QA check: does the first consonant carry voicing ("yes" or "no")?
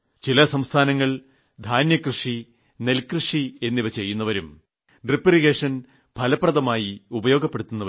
no